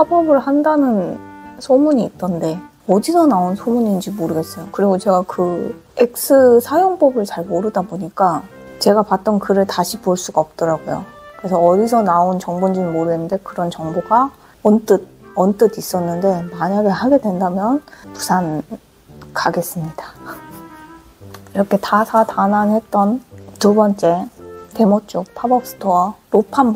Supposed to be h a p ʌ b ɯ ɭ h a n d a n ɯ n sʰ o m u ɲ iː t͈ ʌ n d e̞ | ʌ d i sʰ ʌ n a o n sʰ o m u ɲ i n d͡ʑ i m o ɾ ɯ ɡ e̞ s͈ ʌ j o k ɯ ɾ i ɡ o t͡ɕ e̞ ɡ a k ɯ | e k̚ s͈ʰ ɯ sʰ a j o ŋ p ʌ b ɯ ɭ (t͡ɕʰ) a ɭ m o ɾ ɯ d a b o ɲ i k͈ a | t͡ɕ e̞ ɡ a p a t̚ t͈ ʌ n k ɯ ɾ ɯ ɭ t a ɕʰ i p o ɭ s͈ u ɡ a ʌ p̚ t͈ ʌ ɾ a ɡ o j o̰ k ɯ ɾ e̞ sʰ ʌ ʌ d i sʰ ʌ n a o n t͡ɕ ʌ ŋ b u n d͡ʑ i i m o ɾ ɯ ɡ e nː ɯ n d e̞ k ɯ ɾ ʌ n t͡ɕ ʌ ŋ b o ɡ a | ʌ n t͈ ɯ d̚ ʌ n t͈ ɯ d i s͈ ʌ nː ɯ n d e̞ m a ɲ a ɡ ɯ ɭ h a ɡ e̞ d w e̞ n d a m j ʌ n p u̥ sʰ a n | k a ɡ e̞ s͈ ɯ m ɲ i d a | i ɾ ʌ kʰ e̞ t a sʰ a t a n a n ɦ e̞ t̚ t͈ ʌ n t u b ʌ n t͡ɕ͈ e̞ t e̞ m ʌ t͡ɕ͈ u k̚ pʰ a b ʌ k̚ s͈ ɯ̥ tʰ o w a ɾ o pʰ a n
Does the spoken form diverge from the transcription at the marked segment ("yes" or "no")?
yes